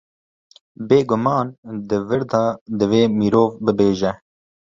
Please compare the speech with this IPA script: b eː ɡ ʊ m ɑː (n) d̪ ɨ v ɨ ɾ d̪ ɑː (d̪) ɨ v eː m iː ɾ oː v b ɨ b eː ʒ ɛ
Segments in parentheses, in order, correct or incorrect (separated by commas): correct, correct